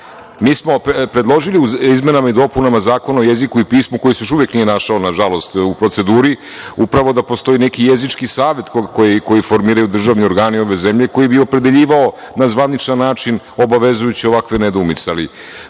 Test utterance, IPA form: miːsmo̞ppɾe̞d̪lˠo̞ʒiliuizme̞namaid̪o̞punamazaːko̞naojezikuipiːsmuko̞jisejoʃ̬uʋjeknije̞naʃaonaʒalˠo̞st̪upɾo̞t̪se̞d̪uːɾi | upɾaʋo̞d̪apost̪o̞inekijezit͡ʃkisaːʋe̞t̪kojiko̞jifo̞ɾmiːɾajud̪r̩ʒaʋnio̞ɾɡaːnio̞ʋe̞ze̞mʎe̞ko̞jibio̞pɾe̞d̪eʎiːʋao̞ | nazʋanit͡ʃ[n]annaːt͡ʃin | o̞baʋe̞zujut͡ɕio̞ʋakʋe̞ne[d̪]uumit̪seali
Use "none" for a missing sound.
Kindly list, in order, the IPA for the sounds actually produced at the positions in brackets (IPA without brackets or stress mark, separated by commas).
n, d̪